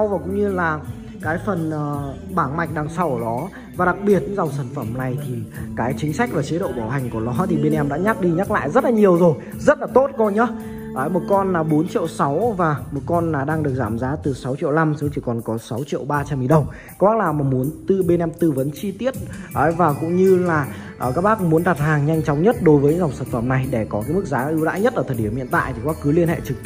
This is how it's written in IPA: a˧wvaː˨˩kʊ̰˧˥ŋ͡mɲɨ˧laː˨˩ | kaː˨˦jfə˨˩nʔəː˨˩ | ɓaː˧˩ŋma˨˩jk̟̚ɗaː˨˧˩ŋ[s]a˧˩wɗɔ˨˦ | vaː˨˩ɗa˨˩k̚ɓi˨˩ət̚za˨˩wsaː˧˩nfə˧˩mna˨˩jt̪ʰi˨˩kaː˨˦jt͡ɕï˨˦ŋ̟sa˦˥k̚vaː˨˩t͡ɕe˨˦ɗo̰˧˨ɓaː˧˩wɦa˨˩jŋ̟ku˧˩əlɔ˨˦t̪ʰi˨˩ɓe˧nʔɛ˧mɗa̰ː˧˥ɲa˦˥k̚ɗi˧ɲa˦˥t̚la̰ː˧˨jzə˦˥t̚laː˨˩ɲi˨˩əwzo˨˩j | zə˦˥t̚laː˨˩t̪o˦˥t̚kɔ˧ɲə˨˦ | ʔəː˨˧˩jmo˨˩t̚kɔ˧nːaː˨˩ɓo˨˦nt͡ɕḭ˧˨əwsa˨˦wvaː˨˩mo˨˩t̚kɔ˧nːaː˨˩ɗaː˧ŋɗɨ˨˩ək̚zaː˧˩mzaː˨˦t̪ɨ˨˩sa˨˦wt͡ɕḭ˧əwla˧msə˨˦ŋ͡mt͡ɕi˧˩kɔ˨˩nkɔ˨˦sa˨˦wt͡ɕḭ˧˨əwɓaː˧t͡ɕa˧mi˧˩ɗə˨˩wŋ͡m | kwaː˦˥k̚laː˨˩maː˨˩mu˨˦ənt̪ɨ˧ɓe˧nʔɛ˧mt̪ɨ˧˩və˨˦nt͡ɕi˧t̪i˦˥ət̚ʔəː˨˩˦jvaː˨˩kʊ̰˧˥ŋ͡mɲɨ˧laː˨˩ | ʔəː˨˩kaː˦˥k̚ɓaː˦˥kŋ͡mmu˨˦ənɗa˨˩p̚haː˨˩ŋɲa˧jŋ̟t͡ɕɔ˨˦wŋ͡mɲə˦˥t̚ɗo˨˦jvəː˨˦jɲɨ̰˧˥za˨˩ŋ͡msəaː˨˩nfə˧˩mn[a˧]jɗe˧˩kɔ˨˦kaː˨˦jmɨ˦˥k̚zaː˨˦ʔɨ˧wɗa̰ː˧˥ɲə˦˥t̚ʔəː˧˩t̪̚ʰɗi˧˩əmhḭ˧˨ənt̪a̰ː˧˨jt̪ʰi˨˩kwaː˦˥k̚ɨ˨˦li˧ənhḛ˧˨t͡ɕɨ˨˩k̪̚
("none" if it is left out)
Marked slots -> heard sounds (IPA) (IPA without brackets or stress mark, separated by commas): s, a˨˩